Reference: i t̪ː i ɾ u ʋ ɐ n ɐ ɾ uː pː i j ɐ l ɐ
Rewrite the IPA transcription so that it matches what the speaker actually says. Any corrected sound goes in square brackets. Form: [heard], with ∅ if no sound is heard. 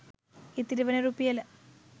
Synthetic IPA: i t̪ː i ɾ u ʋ ɐ n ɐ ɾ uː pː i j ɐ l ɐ